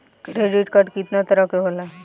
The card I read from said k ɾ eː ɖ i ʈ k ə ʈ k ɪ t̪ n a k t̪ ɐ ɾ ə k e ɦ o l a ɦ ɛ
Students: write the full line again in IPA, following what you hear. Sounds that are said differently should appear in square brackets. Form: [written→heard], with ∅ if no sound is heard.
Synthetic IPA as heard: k ɾ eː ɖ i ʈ k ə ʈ k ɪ t̪ n a [k→∅] t̪ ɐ ɾ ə k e ɦ o l a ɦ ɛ